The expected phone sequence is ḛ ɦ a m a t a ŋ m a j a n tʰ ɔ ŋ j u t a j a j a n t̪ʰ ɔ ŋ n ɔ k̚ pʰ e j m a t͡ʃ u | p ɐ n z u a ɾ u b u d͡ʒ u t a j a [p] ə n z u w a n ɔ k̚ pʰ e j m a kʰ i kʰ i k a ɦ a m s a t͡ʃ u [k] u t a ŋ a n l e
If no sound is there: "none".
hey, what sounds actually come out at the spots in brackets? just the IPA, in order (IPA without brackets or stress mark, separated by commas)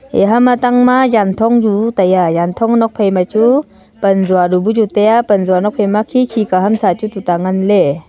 p, t